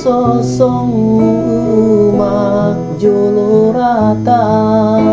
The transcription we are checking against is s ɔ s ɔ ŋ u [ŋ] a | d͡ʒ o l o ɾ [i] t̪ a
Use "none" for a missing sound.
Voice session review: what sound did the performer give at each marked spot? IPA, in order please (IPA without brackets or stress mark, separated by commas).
m, a